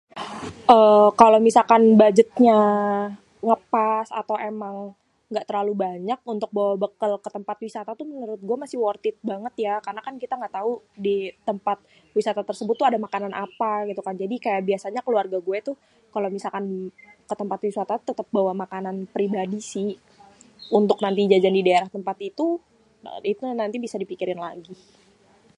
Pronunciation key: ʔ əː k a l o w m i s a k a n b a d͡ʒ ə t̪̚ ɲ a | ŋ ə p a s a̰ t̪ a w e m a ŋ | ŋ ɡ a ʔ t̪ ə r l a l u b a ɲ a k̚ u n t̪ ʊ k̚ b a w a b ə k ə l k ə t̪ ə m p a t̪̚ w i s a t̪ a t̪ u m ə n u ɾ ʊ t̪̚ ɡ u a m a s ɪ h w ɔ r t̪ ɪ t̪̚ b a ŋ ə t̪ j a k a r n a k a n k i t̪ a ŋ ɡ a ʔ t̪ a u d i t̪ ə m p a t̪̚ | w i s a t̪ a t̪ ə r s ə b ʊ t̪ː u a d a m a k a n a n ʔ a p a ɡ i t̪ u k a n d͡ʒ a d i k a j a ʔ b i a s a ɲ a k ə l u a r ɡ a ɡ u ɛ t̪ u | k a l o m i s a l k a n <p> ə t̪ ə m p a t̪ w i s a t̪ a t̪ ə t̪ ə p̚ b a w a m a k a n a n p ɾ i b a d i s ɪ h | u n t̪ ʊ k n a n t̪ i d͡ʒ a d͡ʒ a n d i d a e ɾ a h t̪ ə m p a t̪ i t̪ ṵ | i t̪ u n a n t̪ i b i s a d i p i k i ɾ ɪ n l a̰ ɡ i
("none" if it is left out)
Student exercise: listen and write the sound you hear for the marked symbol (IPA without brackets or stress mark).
k